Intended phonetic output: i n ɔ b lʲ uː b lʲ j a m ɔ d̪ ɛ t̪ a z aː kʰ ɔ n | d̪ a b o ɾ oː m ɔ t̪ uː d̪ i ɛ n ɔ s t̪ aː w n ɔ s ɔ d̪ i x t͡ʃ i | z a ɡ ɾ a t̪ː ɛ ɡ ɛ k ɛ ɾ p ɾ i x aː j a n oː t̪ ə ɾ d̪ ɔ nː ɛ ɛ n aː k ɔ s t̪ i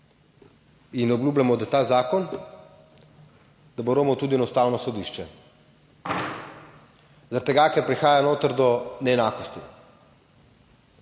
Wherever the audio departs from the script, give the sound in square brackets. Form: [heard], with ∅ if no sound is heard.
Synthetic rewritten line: i n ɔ b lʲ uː b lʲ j a m ɔ d̪ [a] t̪ a z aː [k] ɔ n | d̪ a b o ɾ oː m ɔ t̪ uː d̪ i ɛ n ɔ s t̪ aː w n ɔ s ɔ d̪ i [ʃ] t͡ʃ [ɛ] | z a [∅] ɾ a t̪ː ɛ ɡ [a] k ɛ ɾ p ɾ i x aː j a n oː t̪ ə ɾ d̪ ɔ [n] ɛ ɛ n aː k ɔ s t̪ i